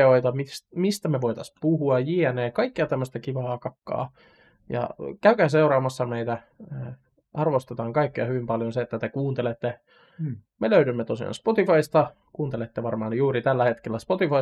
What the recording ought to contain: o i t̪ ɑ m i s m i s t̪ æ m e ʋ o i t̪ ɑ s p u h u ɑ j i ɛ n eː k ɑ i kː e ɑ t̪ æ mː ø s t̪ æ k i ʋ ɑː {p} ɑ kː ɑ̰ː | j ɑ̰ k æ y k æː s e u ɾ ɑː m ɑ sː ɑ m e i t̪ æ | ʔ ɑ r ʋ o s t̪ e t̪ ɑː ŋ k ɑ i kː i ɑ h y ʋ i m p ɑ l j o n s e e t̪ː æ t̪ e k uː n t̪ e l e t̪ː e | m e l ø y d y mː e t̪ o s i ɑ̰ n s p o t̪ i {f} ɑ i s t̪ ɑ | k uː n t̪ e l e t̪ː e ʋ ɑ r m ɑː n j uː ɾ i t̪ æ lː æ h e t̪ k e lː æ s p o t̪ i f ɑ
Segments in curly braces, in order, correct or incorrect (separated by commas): incorrect, correct